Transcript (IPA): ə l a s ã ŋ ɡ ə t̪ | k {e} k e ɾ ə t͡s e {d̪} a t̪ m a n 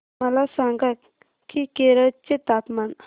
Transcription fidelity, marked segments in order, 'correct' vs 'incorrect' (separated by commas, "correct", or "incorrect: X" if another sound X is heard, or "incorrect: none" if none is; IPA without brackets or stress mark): incorrect: i, incorrect: t̪